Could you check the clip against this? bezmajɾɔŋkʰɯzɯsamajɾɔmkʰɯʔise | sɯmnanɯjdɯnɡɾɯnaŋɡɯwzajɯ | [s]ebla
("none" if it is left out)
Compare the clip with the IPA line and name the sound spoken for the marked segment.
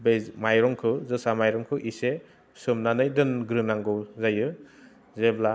z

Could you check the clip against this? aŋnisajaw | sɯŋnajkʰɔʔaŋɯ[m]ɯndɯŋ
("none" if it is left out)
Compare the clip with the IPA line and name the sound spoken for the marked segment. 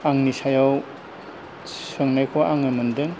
m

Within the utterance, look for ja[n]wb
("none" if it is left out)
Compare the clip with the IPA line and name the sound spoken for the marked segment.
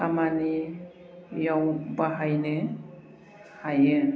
none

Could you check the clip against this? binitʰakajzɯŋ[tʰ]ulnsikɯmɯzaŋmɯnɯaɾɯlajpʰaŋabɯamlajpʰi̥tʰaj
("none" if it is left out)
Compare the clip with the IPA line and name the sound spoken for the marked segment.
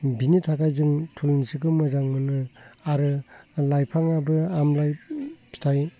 tʰ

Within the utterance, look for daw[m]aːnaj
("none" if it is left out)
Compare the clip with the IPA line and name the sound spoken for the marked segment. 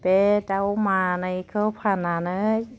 m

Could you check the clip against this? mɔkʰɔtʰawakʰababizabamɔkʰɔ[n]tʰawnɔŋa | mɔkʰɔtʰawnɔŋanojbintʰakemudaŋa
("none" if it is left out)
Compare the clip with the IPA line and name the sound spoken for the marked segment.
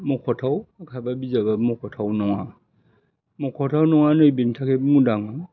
none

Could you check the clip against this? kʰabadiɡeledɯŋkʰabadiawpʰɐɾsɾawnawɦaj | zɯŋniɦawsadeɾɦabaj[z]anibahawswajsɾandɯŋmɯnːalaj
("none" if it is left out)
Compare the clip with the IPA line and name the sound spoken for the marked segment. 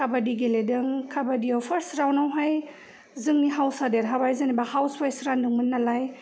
z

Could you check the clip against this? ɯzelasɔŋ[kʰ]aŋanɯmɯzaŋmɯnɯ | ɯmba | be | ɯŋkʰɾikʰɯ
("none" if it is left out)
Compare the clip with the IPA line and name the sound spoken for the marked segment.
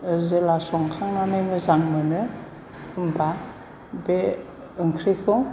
kʰ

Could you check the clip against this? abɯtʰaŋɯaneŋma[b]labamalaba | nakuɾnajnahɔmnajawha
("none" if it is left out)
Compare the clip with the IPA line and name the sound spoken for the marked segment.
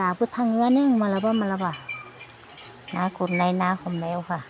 none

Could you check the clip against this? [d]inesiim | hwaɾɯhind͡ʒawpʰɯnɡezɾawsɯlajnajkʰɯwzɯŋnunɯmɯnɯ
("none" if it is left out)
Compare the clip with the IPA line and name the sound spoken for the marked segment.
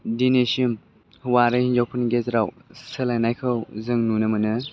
d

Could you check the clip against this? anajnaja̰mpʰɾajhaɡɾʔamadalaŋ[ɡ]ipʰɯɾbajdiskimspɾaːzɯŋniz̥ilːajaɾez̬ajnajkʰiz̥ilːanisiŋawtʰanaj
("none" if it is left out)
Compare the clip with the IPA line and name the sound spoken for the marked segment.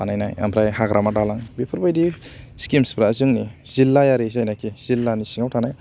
b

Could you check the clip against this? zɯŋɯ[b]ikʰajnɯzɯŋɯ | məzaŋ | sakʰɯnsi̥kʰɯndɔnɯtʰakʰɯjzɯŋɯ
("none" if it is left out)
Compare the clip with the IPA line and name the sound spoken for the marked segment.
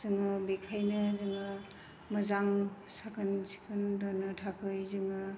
b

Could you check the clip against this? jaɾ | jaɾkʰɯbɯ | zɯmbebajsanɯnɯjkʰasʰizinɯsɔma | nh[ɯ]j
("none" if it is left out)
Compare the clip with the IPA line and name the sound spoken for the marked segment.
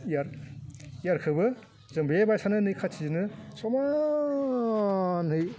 ɯ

